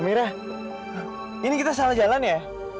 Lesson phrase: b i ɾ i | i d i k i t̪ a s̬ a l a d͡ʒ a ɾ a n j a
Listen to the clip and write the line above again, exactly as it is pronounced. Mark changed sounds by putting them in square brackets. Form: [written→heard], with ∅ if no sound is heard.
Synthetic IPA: [b→m] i ɾ [i→a] | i [d→n] i k i t̪ a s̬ a l a d͡ʒ a [ɾ→l] a n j a